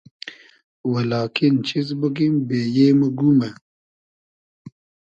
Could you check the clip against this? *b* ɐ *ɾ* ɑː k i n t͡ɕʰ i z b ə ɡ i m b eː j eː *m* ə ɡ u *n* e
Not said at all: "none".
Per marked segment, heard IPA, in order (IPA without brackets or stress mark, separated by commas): w, l, m, m